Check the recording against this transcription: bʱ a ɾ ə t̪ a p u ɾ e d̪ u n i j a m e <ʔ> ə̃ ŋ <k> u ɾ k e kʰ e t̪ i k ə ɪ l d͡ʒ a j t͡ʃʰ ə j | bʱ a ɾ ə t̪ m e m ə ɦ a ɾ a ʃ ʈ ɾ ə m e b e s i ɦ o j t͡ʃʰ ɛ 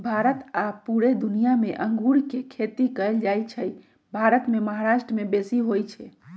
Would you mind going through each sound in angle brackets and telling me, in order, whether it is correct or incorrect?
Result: correct, incorrect: ɡ

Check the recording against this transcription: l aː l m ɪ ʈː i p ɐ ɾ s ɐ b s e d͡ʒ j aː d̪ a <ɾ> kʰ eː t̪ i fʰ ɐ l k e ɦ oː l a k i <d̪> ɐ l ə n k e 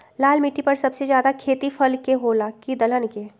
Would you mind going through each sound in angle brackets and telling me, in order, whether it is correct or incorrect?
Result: incorrect: none, correct

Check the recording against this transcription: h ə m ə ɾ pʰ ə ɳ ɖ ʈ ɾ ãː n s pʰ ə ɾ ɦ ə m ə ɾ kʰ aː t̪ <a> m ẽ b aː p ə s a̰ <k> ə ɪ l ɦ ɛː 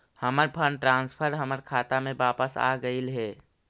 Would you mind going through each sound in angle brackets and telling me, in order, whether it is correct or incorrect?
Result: correct, incorrect: ɡ

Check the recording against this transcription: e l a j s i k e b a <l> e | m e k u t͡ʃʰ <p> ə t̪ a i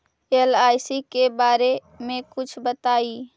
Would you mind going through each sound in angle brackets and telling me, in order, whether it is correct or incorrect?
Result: incorrect: ɾ, incorrect: b

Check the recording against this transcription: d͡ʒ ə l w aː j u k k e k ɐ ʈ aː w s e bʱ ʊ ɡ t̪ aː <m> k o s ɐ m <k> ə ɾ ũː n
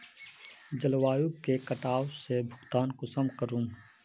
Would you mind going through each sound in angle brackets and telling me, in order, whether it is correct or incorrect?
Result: incorrect: n, correct

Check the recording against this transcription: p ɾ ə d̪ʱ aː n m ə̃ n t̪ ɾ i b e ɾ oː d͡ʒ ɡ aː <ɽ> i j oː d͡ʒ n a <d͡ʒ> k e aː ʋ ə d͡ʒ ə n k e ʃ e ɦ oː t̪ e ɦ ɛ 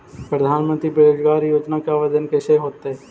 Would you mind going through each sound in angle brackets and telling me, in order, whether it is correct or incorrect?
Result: incorrect: ɾ, incorrect: none

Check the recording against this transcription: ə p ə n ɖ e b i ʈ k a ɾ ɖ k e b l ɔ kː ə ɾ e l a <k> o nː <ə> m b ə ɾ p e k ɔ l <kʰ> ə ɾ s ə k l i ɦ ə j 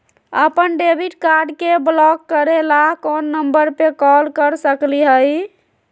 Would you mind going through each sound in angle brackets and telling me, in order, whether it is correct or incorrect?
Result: correct, correct, incorrect: k

